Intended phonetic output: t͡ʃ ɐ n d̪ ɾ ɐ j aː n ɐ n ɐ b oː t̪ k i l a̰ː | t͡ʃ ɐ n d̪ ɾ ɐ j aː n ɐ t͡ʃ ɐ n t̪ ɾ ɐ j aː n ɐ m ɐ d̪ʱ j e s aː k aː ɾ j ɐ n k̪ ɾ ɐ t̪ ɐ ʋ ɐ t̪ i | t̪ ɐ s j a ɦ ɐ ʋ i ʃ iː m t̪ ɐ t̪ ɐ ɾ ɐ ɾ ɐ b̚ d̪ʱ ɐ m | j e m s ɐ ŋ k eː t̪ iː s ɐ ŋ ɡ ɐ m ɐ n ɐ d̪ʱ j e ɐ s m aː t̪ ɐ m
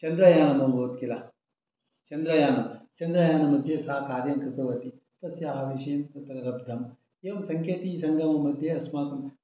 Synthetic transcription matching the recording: t͡ʃ ɐ n d̪ ɾ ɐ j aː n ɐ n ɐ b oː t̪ k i l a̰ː | t͡ʃ ɐ n d̪ ɾ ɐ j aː n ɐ t͡ʃ ɐ n d̪ ɾ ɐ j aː n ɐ m ɐ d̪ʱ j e s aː k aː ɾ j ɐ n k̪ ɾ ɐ t̪ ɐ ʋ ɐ t̪ i | t̪ ɐ s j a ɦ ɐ ʋ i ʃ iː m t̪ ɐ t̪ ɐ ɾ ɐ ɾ ɐ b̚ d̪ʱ ɐ m | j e m s ɐ ŋ k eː t̪ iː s ɐ ŋ ɡ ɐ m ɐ m ɐ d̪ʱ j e ɐ s m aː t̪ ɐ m

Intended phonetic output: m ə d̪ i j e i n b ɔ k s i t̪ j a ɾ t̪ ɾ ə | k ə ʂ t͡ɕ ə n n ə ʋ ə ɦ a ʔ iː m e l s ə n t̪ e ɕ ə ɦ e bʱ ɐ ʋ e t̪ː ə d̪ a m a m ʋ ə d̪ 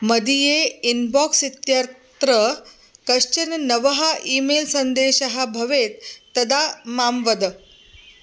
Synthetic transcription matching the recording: m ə d̪ i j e i n b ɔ k s i t̪ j a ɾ t̪ ɾ ə | k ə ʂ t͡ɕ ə n n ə ʋ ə ɦ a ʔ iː m e l s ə n d̪ e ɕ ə ɦ a bʱ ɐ ʋ e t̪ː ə d̪ a m a m ʋ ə d̪

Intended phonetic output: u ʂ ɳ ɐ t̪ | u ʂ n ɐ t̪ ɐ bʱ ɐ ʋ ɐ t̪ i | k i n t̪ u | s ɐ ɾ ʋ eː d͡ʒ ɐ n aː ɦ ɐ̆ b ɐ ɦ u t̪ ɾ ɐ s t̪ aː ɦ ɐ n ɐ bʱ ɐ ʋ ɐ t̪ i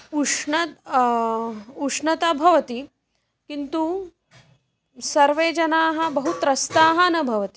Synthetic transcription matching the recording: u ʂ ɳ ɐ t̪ | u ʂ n ɐ t̪ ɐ bʱ ɐ ʋ ɐ t̪ i | k i n t̪ u | s ɐ ɾ ʋ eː d͡ʒ ɐ n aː ɦ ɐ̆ b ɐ ɦ u t̪ ɾ ɐ s t̪ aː ɦ ɐ n ɐ bʱ ɐ ʋ ɐ t̪ i

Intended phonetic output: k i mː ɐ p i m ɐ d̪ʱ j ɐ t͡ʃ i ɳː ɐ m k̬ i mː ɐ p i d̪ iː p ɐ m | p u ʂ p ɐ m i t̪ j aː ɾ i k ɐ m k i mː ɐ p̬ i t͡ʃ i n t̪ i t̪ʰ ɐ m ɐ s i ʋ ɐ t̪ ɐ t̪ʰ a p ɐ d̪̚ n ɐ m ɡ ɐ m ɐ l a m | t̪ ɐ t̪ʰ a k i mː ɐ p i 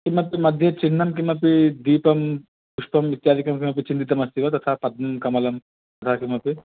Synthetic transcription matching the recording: k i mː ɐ p i m ɐ d̪ʱ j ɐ t͡ʃ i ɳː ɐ m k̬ i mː ɐ p i d̪ iː p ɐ m | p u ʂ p ɐ m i t̪ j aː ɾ i k ɐ m k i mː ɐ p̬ i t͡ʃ i n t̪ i t̪ ɐ m ɐ s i ʋ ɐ t̪ ɐ t̪ʰ a p ɐ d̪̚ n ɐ m k ɐ m ɐ l ɐ m | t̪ ɐ t̪ʰ a k i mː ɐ p i

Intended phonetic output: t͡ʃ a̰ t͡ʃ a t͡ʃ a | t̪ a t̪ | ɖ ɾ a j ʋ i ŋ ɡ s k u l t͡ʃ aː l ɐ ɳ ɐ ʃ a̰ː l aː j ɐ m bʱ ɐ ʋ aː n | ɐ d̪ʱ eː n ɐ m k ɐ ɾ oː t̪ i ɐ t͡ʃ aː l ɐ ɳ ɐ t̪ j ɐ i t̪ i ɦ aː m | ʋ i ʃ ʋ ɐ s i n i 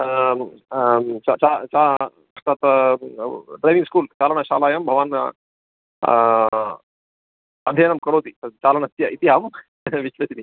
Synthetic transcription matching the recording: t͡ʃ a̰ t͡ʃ a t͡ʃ a | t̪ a t̪ | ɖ ɾ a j ʋ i ŋ ɡ s k uː l t͡ʃ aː l ɐ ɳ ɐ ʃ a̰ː l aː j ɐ m bʱ ɐ ʋ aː n | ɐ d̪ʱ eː n ɐ m k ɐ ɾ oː t̪ i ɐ t͡ʃ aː l ɐ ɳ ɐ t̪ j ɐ i t̪ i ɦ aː m | ʋ i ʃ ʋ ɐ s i n i

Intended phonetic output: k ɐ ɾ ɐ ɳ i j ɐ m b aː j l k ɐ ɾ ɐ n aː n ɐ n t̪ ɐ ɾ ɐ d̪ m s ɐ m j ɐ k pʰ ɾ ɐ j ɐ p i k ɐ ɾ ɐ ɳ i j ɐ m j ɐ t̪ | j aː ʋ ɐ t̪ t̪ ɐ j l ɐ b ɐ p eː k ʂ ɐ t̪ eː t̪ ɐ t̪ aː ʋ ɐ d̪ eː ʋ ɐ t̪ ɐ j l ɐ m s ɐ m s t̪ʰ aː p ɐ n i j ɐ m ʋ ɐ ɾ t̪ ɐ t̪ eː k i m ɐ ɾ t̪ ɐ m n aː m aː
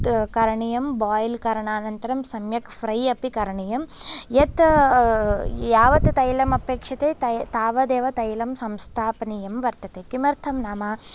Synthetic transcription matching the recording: k ɐ ɾ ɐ ɳ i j ɐ m b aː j l k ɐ ɾ ɐ ɳ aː n ɐ n t̪ ɐ ɾ ɐ m s ɐ m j ɐ k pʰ ɾ ɐ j ɐ p i k ɐ ɾ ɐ ɳ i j ɐ m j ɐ t̪ | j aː ʋ ɐ t̪ t̪ ɐ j l ɐ m ɐ p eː k ʂ ɐ t̪ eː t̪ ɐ t̪ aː ʋ ɐ d̪ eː ʋ ɐ t̪ ɐ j l ɐ m s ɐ m s t̪ʰ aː p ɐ n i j ɐ m ʋ ɐ ɾ t̪ ɐ t̪ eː k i m ɐ ɾ t̪ʰ ɐ m n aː m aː

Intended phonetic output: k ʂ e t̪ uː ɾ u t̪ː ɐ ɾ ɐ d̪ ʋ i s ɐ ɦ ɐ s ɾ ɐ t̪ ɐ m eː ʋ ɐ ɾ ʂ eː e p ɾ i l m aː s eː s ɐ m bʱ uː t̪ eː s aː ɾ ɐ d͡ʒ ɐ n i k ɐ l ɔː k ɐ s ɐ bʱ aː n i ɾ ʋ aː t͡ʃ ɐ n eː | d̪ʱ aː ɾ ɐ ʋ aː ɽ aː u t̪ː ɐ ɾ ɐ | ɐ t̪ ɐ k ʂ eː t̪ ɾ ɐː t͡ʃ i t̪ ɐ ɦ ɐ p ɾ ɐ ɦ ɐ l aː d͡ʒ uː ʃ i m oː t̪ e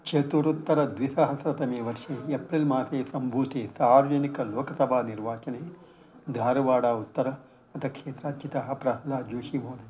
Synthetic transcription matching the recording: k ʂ e t̪ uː ɾ u t̪ː ɐ ɾ ɐ d̪ ʋ i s ɐ ɦ ɐ s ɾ ɐ t̪ ɐ m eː ʋ ɐ ɾ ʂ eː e p ɾ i l m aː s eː s ɐ m bʱ uː t̪ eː s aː ɾ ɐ d͡ʒ ɐ n i k ɐ l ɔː k ɐ s ɐ bʱ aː n i ɾ ʋ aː t͡ʃ ɐ n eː | d̪ʱ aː ɾ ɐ ʋ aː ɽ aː u t̪ː ɐ ɾ ɐ | ɐ t̪ ɐ k ʂ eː t̪ ɾ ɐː t͡ʃ i t̪ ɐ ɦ ɐ p ɾ ɐ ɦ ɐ l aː d͡ʒ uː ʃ i m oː d̪ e

